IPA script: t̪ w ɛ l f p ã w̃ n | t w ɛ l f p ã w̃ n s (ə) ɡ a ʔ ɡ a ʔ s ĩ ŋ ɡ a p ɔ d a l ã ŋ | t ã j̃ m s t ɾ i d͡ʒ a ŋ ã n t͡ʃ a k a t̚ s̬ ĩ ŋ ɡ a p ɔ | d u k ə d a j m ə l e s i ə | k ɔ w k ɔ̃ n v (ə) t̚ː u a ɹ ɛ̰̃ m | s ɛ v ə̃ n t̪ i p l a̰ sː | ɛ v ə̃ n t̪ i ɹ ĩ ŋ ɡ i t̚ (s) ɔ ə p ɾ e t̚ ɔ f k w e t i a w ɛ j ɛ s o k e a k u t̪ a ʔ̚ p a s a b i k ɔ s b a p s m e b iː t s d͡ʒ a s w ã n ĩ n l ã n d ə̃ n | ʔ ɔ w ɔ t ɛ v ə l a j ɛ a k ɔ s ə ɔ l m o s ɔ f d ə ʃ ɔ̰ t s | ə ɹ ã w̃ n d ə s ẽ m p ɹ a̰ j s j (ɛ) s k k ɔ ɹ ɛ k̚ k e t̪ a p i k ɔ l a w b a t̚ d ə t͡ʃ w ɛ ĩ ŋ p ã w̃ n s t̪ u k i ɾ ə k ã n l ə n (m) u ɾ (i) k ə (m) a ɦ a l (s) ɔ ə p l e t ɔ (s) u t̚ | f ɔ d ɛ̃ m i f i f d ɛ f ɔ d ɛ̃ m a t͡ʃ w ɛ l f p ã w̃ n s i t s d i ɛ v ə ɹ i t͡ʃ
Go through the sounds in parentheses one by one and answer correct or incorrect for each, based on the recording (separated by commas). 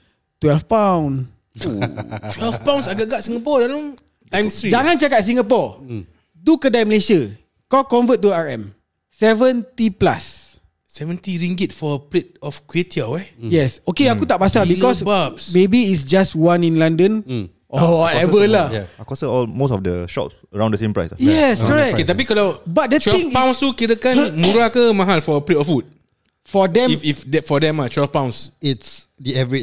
incorrect, correct, incorrect, correct, correct, incorrect, correct, incorrect, incorrect